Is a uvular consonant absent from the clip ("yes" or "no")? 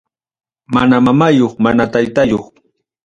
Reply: no